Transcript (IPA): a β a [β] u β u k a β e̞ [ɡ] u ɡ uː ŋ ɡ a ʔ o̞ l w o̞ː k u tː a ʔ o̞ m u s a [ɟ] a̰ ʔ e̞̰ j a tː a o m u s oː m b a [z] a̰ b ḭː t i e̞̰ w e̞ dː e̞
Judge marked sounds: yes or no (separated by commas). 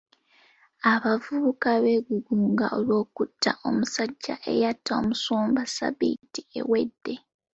no, yes, no, no